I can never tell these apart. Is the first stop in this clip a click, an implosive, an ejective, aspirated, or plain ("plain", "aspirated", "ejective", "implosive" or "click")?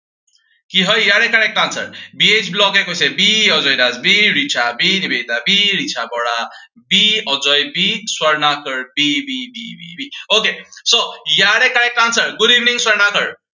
plain